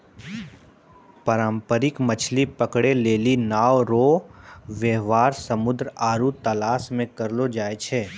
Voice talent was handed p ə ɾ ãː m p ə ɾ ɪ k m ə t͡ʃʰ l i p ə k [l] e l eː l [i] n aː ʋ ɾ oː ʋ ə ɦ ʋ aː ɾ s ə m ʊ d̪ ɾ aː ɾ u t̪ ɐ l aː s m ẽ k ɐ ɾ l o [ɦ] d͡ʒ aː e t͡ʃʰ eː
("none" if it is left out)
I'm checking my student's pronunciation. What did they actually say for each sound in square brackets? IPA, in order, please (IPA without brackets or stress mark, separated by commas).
ɽ, i, none